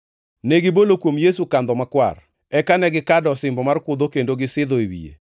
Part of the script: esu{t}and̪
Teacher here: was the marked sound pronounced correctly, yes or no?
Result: no